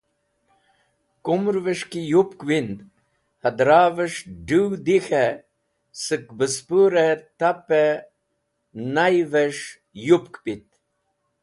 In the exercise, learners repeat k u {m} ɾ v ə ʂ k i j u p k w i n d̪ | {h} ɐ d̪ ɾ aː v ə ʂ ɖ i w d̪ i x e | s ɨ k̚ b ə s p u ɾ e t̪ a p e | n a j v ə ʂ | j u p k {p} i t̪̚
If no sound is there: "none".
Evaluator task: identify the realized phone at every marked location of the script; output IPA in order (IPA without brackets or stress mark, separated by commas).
m, h, p